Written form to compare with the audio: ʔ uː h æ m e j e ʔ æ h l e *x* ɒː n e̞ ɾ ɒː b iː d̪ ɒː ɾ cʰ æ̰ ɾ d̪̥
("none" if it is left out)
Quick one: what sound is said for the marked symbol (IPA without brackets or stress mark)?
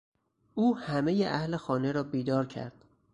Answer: x